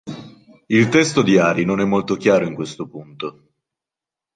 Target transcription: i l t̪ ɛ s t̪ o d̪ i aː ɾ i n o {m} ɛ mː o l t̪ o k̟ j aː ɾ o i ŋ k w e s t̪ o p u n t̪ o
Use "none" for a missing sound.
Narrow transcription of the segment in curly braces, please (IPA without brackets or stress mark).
n